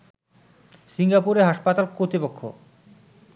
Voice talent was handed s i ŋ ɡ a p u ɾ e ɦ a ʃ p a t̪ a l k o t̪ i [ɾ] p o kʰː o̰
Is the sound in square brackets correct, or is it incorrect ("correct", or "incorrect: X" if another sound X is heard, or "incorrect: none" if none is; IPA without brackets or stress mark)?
incorrect: none